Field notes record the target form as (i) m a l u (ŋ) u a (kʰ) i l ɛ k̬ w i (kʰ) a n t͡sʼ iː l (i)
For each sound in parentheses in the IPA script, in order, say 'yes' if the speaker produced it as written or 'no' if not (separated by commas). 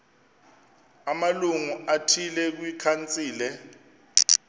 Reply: no, yes, no, yes, no